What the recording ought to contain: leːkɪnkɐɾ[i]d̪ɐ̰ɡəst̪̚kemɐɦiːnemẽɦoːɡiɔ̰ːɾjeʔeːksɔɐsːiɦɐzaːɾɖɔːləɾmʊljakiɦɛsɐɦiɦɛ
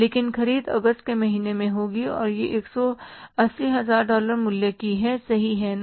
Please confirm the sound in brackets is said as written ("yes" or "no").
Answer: no